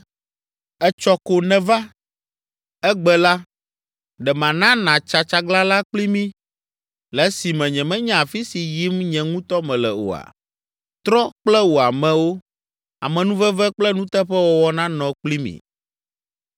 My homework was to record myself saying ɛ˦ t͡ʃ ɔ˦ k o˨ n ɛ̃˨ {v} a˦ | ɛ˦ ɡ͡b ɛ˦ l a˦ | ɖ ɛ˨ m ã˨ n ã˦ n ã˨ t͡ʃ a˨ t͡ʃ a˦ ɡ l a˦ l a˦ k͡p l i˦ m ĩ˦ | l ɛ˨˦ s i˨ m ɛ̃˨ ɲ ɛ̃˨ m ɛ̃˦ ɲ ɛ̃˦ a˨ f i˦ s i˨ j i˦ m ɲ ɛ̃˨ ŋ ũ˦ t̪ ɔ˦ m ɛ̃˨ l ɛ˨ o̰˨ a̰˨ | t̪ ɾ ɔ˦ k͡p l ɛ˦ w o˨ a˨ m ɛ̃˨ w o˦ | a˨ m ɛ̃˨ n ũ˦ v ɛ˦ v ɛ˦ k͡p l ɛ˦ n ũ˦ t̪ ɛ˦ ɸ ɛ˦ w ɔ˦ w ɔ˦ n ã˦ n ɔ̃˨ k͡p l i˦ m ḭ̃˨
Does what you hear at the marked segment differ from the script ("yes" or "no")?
no